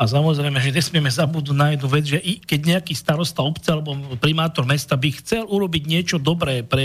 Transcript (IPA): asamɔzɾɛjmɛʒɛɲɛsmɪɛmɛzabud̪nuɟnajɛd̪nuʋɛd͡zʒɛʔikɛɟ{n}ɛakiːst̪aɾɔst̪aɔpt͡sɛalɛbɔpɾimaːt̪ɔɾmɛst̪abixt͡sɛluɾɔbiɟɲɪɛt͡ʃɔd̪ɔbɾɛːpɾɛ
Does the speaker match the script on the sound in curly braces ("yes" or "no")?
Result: no